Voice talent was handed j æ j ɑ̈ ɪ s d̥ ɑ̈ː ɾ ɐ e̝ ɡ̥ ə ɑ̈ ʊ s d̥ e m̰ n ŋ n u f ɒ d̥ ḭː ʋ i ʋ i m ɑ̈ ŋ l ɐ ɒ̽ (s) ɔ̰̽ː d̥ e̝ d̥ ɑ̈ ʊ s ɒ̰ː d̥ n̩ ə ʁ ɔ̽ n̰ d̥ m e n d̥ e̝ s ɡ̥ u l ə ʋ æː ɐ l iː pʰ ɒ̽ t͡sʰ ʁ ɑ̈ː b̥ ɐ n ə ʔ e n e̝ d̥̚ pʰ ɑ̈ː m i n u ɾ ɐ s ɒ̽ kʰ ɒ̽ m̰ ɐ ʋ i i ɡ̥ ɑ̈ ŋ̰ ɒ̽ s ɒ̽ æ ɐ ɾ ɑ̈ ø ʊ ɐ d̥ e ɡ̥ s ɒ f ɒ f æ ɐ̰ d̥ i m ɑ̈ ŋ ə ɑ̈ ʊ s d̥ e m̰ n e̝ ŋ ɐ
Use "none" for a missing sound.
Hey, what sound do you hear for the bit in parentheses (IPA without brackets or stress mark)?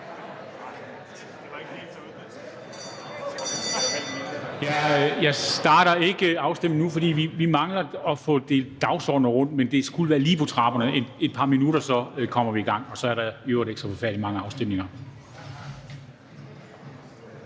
f